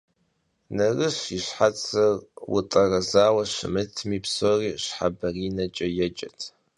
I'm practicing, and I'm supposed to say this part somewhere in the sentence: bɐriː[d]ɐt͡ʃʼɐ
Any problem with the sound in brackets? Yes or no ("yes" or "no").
yes